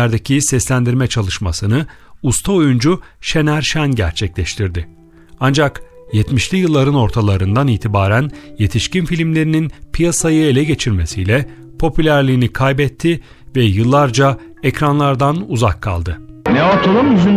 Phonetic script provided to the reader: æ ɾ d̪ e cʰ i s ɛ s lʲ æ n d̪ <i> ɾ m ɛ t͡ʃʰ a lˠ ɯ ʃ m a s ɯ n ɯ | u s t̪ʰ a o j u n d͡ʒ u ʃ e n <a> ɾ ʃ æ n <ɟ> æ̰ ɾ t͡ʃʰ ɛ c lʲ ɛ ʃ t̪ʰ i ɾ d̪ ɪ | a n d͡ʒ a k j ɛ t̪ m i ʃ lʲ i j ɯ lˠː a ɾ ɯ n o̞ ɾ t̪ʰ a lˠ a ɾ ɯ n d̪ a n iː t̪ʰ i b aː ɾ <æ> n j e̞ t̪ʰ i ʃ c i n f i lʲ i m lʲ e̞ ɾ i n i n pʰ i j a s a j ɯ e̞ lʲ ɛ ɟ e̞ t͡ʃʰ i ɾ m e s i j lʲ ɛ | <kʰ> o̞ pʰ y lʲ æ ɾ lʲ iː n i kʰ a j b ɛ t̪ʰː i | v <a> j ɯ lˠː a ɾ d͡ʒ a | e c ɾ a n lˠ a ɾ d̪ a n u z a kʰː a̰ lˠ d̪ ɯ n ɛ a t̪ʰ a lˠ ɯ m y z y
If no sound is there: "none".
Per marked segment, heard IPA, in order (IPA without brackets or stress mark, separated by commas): i, æ, ɟ, æ, pʰ, ɛ